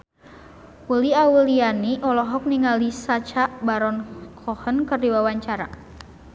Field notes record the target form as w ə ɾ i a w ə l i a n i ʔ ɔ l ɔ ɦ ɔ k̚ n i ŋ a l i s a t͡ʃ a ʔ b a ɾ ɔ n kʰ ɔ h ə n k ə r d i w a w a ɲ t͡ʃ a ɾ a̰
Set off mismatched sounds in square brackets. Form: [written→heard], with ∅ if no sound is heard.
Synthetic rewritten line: w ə [ɾ→l] i a w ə l i a n i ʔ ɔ l ɔ ɦ ɔ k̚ n i ŋ a l i s a t͡ʃ a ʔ b a ɾ ɔ n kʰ ɔ h ə n k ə r d i w a w a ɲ t͡ʃ a ɾ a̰